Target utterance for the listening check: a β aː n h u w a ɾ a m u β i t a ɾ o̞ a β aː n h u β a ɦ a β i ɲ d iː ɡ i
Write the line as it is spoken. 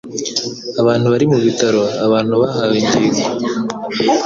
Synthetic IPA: a β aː n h u β a ɾ i m u β i t a ɾ o̞ a β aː n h u β a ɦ a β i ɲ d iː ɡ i